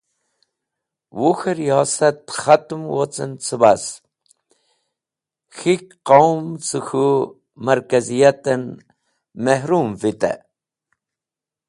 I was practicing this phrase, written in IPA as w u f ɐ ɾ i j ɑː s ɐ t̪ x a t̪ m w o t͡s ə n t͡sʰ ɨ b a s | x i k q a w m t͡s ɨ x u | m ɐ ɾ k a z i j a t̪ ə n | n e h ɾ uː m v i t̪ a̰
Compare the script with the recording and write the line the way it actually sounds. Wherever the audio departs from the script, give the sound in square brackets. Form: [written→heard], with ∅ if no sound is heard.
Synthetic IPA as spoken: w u [f→x] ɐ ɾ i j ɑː s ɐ t̪ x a t̪ m w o t͡s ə n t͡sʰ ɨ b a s | x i k q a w m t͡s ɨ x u | m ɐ ɾ k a z i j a t̪ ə n | [n→m] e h ɾ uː m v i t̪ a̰